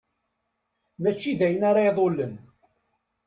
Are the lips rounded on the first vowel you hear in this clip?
no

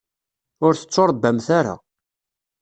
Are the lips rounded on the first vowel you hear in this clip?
yes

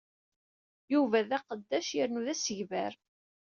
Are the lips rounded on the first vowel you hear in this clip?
yes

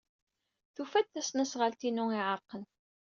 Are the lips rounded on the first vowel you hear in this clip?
yes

